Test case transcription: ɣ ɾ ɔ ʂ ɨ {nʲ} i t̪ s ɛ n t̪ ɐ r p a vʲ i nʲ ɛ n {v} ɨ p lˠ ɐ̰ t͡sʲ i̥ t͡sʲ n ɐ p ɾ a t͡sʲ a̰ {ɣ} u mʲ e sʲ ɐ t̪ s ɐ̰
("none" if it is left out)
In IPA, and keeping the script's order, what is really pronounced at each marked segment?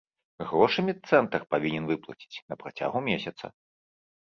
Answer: mʲ, v, ɣ

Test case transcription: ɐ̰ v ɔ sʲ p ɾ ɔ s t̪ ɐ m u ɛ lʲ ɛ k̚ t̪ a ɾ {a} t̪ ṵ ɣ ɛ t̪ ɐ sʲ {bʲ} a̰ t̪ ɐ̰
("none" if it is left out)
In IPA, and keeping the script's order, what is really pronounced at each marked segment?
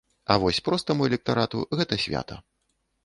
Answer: a, vʲ

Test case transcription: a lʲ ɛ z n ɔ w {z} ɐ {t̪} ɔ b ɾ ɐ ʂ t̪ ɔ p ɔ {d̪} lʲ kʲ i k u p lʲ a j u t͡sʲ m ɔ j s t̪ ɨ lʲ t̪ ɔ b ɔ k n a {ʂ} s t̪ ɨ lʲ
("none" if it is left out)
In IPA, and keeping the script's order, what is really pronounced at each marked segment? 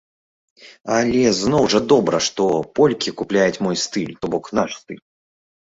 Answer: ʐ, d̪, none, ʂ

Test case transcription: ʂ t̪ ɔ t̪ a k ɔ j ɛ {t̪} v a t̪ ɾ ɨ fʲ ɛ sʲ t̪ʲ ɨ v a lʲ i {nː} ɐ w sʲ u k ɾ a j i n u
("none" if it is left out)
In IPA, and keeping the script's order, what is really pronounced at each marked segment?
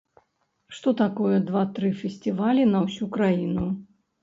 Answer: d̪, n

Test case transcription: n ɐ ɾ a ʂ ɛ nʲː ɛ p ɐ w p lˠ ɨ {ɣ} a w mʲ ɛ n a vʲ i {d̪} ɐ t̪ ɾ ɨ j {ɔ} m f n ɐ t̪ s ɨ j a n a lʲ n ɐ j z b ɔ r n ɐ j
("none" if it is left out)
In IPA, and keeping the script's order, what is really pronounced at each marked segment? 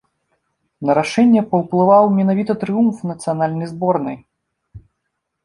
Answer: v, t̪, u

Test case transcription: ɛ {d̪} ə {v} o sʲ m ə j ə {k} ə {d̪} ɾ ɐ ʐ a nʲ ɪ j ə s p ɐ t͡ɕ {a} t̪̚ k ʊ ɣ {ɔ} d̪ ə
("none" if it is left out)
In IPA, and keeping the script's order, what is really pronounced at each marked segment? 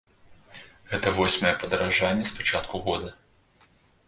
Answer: t̪, v, p, d̪, a, o

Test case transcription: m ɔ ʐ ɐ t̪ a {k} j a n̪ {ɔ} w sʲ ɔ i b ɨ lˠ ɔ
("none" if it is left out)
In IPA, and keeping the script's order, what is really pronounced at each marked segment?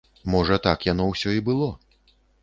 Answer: k, ɔ

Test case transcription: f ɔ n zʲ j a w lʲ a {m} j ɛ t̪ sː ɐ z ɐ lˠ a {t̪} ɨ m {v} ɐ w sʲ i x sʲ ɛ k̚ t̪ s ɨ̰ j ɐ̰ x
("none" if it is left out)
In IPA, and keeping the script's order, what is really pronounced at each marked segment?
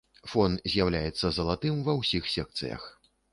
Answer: none, t̪, v

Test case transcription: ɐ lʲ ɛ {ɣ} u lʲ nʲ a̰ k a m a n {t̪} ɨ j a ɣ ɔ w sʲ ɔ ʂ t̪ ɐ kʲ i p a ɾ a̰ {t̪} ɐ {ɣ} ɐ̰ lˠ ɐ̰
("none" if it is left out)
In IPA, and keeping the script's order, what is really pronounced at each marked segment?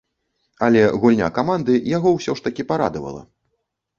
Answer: ɣ, d̪, d̪, v

